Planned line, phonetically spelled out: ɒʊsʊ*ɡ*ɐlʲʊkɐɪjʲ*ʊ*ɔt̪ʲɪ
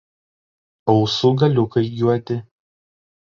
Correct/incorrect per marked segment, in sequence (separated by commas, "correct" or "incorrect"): correct, incorrect